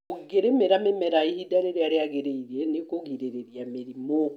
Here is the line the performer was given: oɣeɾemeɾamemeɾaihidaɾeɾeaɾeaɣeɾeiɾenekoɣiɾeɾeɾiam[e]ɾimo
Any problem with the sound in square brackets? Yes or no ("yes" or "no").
no